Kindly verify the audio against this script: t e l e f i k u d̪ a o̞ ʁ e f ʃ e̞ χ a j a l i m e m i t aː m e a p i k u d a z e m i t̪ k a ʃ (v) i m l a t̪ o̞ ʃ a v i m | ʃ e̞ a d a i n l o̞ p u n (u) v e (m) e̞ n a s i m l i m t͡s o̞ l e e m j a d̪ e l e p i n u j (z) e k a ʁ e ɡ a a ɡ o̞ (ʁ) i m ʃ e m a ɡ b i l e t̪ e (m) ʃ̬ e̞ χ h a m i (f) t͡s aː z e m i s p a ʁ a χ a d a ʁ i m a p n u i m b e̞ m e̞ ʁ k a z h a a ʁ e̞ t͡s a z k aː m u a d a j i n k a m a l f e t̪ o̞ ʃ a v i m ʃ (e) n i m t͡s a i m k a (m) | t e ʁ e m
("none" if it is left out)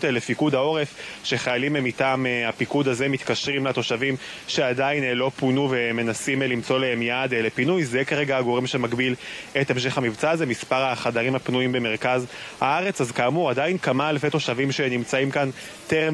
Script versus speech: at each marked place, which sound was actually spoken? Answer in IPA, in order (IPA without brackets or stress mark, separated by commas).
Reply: ʁ, u, m, z, ʁ, m, v, e, n